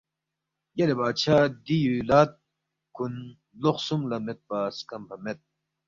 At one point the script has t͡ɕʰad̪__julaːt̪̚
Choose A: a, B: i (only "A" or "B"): B